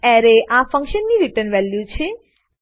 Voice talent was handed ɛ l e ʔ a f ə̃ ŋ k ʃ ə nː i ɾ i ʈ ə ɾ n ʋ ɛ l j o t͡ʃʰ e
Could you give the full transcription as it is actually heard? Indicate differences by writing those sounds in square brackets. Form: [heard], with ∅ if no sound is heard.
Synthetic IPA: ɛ [ɾ] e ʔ a f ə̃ ŋ k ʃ ə nː i ɾ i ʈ ə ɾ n ʋ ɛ l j [u] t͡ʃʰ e